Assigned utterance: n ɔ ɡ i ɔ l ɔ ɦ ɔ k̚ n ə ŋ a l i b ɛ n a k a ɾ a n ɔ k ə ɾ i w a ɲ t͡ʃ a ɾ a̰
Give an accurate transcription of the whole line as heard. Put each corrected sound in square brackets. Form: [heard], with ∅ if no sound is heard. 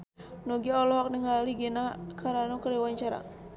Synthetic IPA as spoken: n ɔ ɡ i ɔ l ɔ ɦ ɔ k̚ n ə ŋ a l i [ɡ] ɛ n a k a ɾ a n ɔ k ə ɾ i w a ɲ t͡ʃ a ɾ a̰